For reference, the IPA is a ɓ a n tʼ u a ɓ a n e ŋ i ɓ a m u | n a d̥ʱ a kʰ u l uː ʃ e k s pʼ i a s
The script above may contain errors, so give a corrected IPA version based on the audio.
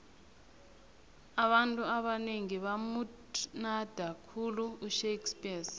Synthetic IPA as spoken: a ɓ a n tʼ u a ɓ a n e ŋ i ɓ a m u | n a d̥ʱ a kʰ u l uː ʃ e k s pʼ i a s